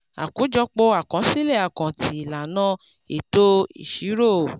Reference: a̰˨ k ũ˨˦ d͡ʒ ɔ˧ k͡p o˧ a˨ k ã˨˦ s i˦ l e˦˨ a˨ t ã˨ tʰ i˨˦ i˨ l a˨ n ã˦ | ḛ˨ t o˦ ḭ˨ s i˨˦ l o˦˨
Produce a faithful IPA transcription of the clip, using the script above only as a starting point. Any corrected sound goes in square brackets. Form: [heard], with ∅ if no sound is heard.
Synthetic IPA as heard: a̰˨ k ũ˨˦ d͡ʒ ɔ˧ k͡p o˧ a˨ k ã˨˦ s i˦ l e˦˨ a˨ [k] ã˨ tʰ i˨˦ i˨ l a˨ n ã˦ | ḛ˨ t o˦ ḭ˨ [ʃ] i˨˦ [ɾ] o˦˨